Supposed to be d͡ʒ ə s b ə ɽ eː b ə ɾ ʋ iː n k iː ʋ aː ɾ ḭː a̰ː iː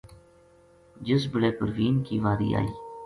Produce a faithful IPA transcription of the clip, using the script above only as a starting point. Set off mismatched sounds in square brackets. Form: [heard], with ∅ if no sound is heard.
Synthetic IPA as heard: d͡ʒ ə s b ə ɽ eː [p] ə ɾ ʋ iː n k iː ʋ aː ɾ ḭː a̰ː iː

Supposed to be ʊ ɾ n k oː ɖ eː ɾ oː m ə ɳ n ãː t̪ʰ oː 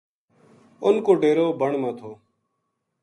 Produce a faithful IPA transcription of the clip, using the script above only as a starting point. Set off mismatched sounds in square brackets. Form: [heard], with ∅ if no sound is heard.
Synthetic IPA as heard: ʊ [∅] n k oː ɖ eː ɾ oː [b] ə ɳ [m] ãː t̪ʰ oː

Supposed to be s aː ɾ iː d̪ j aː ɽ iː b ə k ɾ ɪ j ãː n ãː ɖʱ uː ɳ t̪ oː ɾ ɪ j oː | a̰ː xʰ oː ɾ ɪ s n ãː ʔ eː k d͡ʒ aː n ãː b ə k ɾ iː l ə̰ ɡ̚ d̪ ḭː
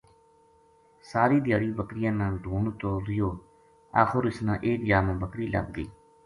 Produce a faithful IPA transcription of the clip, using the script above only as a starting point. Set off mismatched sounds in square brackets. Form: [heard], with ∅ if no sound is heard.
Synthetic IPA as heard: s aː ɾ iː d̪ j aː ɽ iː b ə k ɾ ɪ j ãː n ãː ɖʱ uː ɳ t̪ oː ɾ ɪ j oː | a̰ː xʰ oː ɾ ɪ s n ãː ʔ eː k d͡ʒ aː [m] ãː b ə k ɾ iː l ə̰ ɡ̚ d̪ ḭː

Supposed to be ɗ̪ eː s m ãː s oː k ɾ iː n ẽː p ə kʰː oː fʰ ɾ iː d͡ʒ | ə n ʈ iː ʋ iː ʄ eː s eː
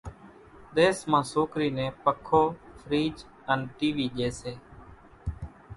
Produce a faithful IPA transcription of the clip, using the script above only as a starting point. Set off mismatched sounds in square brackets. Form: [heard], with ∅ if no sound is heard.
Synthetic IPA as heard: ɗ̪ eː s m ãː s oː k ɾ iː n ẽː p ə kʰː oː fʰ ɾ iː d͡ʒ | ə n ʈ iː ʋ iː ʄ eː s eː

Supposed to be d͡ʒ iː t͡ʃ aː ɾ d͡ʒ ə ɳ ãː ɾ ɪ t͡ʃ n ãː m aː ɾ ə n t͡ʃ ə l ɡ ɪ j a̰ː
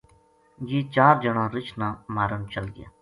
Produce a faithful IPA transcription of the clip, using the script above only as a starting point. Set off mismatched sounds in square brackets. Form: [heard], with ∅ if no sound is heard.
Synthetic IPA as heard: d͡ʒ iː t͡ʃ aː ɾ d͡ʒ ə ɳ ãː ɾ ɪ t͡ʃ n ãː m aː ɾ ə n t͡ʃ ə l ɡ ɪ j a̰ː

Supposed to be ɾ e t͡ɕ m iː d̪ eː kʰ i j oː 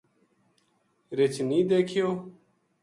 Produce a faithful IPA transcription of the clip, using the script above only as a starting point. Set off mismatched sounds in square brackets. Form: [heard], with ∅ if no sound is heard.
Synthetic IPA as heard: ɾ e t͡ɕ [n] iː d̪ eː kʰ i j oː

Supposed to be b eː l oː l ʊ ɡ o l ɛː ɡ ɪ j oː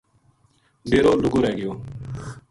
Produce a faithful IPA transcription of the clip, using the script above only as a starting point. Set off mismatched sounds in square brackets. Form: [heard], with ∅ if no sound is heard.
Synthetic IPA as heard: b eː [ɾ] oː l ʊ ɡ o [ɾ] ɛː ɡ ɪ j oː

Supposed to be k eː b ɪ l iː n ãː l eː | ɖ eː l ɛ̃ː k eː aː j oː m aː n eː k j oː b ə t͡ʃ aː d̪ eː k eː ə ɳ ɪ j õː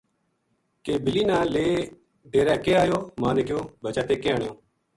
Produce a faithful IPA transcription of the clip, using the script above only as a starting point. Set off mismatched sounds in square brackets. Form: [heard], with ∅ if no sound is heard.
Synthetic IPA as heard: k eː b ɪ l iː n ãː l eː | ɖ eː [ɾ] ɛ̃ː k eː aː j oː m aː n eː k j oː b ə t͡ʃ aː [t̪] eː k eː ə ɳ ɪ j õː

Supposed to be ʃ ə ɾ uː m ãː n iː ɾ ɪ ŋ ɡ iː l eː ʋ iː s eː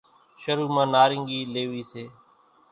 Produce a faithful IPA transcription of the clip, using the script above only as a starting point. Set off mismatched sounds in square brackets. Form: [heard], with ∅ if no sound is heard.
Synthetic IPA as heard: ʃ ə ɾ uː m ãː n [aː] ɾ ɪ ŋ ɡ iː l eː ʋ iː s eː

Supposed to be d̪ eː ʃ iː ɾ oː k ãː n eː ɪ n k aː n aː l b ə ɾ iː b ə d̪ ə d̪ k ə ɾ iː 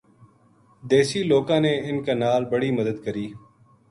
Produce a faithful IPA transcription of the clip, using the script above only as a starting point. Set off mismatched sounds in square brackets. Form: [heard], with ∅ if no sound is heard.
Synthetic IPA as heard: d̪ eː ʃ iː [l] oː k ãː n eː ɪ n k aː n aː l b ə [ɽ] iː [m] ə d̪ ə d̪ k ə ɾ iː

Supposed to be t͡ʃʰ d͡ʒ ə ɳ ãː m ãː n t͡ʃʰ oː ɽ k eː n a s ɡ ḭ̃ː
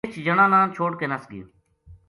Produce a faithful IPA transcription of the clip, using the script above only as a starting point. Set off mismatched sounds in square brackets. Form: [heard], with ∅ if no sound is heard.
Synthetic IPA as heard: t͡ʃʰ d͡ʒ ə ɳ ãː [n] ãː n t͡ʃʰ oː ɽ k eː n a s ɡ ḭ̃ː

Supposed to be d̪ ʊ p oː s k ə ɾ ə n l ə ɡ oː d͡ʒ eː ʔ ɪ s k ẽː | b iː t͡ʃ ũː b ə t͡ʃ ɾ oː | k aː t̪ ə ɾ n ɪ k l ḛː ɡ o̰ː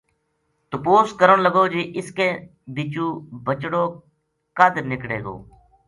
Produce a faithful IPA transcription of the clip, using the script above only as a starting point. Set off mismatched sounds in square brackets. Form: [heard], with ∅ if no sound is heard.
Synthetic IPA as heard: [t̪] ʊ p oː s k ə ɾ ə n l ə ɡ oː d͡ʒ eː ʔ ɪ s k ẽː | b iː t͡ʃ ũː b ə t͡ʃ [ɽ] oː | k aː [d̪] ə ɾ n ɪ k [ɽ] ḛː ɡ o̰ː

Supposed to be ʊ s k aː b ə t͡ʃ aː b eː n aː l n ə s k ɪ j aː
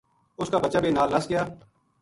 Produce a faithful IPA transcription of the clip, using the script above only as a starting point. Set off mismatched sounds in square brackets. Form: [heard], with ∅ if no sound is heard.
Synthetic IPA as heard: ʊ s k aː b ə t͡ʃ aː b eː n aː l n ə s [ɡ] ɪ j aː

